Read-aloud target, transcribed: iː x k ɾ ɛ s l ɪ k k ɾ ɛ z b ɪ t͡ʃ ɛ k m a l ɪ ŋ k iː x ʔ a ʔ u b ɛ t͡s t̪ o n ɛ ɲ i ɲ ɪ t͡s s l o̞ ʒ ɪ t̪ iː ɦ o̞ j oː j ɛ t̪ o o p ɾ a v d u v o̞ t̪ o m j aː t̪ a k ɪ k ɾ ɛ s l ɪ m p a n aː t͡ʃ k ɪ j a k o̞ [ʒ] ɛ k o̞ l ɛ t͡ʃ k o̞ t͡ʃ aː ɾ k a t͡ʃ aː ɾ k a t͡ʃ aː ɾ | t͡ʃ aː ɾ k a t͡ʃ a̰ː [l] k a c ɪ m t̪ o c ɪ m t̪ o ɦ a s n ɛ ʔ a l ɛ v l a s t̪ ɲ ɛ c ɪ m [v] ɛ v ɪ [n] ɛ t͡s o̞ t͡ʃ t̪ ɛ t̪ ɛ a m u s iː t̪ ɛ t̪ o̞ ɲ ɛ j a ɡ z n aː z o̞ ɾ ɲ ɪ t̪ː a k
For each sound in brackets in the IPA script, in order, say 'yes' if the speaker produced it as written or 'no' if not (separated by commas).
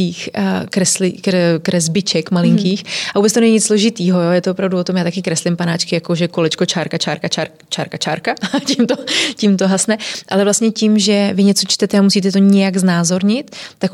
yes, no, no, no